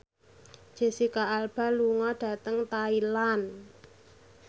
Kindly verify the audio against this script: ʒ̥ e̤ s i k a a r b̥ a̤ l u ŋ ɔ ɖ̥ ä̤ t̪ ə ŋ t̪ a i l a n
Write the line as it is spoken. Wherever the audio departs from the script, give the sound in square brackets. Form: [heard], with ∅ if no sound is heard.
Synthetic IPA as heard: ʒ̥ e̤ s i k a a [l] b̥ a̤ l u ŋ ɔ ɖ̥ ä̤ t̪ ə ŋ t̪ a i l a n